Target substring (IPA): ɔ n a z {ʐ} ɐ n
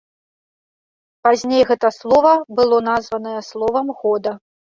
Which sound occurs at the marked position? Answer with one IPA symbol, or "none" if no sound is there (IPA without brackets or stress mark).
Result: v